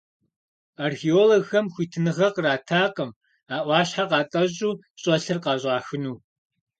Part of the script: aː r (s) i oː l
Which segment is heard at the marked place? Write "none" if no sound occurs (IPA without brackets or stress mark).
x